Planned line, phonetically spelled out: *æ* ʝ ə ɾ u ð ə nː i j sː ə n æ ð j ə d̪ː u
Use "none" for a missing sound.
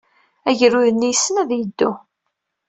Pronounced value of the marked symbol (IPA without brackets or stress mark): æ